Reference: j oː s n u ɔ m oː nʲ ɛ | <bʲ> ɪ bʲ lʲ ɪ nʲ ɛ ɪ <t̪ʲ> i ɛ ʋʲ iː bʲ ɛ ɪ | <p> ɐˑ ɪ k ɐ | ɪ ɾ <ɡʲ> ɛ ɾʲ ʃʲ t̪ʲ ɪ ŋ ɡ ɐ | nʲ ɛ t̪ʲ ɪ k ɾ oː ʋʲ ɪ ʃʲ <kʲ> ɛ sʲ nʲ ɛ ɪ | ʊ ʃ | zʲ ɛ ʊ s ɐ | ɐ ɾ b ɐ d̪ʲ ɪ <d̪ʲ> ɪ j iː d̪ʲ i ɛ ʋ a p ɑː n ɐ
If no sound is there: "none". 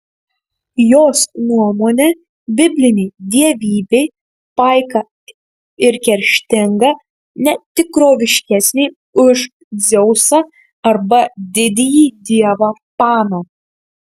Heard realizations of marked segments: bʲ, d̪ʲ, p, kʲ, kʲ, d̪ʲ

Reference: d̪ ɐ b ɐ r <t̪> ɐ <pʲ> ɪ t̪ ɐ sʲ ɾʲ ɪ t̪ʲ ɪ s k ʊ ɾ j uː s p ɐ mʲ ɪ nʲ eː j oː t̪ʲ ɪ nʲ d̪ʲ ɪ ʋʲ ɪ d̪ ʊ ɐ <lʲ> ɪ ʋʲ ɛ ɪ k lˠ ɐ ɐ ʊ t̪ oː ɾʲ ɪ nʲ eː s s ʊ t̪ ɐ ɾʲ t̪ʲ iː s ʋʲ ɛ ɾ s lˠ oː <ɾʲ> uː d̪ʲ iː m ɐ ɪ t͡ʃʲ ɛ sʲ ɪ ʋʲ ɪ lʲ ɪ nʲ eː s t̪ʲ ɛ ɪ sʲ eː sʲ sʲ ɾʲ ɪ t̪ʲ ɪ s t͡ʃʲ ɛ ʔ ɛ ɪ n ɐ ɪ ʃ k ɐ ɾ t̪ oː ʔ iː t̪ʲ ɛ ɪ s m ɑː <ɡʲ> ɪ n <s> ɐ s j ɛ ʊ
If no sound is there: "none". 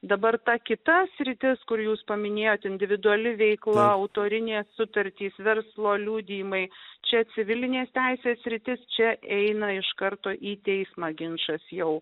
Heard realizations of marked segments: t̪, kʲ, lʲ, lʲ, ɡʲ, ʃ

